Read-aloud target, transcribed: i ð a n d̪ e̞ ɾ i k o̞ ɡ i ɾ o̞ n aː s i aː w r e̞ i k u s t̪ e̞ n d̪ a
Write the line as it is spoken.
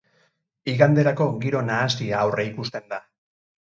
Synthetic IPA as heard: i ɣ a n d̪ e̞ ɾ a k o̞ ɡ i ɾ o̞ n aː s i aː w r e̞ i k u s t̪ e̞ n d̪ a